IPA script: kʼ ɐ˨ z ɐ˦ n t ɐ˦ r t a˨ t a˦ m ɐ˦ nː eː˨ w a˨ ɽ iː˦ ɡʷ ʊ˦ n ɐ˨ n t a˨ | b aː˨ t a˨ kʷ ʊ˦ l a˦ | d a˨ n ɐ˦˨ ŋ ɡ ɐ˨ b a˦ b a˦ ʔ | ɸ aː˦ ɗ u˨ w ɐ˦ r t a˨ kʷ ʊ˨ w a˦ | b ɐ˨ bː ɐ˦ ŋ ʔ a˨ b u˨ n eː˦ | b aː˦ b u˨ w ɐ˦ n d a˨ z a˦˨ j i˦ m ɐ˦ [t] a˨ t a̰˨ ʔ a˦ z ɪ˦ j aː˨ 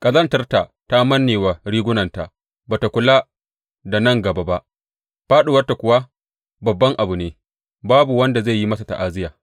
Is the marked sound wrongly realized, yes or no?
yes